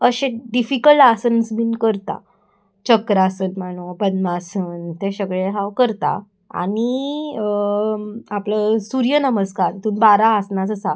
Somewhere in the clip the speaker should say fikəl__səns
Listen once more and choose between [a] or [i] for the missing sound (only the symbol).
a